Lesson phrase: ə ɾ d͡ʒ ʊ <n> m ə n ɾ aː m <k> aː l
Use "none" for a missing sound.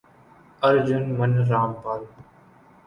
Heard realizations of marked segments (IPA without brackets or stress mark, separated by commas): n, p